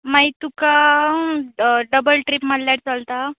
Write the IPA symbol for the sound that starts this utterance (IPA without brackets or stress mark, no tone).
m